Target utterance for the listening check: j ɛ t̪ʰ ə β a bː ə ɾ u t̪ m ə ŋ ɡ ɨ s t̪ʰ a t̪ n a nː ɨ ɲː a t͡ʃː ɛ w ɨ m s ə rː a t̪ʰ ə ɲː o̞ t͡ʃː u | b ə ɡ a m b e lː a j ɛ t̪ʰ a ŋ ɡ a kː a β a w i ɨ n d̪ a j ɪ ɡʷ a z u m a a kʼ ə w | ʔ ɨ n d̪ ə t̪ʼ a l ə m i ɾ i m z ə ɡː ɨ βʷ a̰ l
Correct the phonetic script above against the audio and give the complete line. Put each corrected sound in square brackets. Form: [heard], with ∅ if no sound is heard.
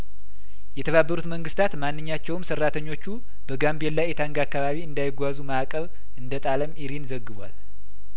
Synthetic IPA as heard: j ɛ t̪ʰ ə β a bː ə ɾ u t̪ m ə ŋ ɡ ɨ s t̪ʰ a t̪ [m] a nː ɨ ɲː a t͡ʃː ɛ w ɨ m s ə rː a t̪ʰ ə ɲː o̞ t͡ʃː u | b ə ɡ a m b e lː a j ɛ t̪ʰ a ŋ ɡ a kː a β a [β] i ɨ n d̪ a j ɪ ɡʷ a z u m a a kʼ ə [β] | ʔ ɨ n d̪ ə t̪ʼ a l ə m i ɾ i [n] z ə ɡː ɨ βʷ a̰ l

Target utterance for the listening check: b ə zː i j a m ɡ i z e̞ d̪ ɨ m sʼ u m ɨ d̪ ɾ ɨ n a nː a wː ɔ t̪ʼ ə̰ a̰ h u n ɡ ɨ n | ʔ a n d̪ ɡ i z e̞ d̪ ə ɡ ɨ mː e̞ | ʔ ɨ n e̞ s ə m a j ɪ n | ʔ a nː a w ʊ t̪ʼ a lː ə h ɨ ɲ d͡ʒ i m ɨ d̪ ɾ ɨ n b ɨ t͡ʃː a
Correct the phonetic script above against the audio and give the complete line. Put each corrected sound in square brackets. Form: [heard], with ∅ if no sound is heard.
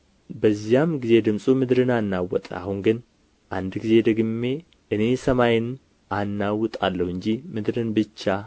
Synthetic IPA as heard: b ə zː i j a m ɡ i z e̞ d̪ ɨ m sʼ u m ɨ d̪ ɾ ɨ n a nː a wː ɔ t̪ʼ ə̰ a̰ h u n ɡ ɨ n | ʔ a n d̪ ɡ i z e̞ d̪ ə ɡ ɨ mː e̞ | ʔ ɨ n e̞ s ə m a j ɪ n | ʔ a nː a w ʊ t̪ʼ a lː ə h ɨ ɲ d͡ʒ i m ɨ d̪ ɾ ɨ n b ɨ t͡ʃː a

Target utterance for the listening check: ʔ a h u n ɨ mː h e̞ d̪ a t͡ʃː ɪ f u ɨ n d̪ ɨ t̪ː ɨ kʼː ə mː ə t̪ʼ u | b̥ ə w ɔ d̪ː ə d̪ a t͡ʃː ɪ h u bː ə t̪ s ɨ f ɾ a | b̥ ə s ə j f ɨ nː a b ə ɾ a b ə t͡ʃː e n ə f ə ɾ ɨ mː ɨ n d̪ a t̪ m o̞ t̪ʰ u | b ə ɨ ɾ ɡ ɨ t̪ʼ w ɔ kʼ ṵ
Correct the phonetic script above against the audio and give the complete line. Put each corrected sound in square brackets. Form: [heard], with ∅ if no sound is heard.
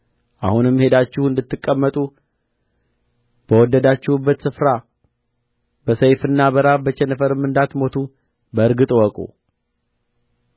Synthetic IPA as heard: ʔ a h u n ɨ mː h e̞ d̪ a t͡ʃː ɪ [h] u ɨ n d̪ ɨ t̪ː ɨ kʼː ə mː ə t̪ʼ u | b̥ ə w ɔ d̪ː ə d̪ a t͡ʃː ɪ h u bː ə t̪ s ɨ f ɾ a | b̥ ə s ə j f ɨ nː a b ə ɾ a b ə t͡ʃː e n ə f ə ɾ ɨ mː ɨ n d̪ a t̪ m o̞ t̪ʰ u | b ə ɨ ɾ ɡ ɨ t̪ʼ w ɔ kʼ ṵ

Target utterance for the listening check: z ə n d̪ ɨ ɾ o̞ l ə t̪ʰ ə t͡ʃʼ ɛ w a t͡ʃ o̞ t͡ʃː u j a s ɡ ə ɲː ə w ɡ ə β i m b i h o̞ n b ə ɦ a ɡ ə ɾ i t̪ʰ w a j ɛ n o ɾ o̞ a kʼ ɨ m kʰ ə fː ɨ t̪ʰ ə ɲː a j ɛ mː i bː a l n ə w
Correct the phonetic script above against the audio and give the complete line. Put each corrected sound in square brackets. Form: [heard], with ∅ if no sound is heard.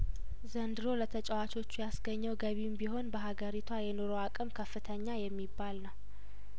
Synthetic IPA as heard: z ə n d̪ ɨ ɾ o̞ l ə t̪ʰ ə t͡ʃʼ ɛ w a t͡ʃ o̞ t͡ʃː u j a s ɡ ə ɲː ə w ɡ ə β i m b i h o̞ n b ə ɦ a ɡ ə ɾ i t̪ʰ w a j ɛ n o ɾ o̞ a kʼ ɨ m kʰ ə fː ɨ t̪ʰ ə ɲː a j ɛ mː i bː a l n ə w

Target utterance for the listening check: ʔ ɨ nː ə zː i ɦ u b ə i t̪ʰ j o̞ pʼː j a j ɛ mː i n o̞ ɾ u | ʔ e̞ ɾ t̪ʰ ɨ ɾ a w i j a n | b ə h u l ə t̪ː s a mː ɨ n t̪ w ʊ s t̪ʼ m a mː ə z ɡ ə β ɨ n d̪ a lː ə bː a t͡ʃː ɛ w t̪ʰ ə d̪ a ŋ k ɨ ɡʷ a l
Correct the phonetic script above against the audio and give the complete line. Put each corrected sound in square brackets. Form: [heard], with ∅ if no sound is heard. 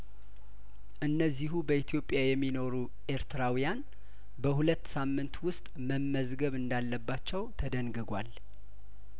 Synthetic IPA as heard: ʔ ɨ nː ə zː i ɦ u b ə i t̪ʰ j o̞ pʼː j a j ɛ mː i n o̞ ɾ u | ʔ e̞ ɾ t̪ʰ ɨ ɾ a w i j a n | b ə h u l ə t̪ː s a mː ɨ n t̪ w ʊ s t̪ʼ m [ə] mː ə z ɡ ə β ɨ n d̪ a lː ə bː a t͡ʃː ɛ w t̪ʰ ə d̪ [ə] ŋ [ɡ] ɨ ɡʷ a l

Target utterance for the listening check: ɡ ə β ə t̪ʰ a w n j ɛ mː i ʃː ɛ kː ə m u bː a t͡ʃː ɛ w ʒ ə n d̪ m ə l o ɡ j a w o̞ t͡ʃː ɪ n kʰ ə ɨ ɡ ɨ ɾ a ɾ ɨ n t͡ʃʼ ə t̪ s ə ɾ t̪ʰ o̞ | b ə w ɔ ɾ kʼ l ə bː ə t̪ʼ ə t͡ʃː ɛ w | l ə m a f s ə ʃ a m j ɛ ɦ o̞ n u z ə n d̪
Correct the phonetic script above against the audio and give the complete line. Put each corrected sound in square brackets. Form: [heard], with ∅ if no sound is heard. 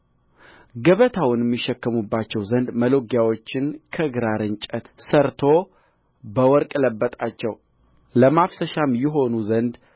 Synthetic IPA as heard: ɡ ə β ə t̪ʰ a w n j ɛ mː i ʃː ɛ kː ə m u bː a t͡ʃː ɛ w [z] ə n d̪ m ə l o ɡ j a w o̞ t͡ʃː ɪ n kʰ ə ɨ ɡ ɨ ɾ a ɾ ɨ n t͡ʃʼ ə t̪ s ə ɾ t̪ʰ o̞ | b ə w ɔ ɾ kʼ l ə bː ə t̪ʼ [a] t͡ʃː ɛ w | l ə m a f s ə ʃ a m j ɛ ɦ o̞ n u z ə n d̪

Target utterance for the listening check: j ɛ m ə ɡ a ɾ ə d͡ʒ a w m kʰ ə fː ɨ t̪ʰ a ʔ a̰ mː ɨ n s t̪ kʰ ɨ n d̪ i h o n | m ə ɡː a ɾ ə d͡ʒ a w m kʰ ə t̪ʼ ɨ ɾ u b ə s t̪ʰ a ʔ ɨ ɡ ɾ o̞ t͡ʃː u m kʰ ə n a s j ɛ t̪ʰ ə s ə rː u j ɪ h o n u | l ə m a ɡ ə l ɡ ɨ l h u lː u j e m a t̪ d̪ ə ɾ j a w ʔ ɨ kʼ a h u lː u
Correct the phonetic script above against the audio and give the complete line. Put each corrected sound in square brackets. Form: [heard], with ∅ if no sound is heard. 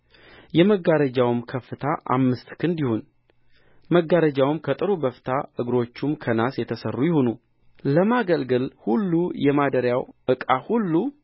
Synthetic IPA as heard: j ɛ m ə ɡ a ɾ ə d͡ʒ a w m kʰ ə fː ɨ t̪ʰ a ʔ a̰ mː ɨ [∅] s t̪ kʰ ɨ n d̪ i h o n | m ə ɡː a ɾ ə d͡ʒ a w m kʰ ə t̪ʼ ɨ ɾ u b ə [f] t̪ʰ a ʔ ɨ ɡ ɾ o̞ t͡ʃː u m kʰ ə n a s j ɛ t̪ʰ ə s ə rː u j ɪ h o n u | l ə m a ɡ ə l ɡ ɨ l h u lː u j [ɛ] m a [∅] d̪ ə ɾ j a w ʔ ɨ kʼ a h u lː u

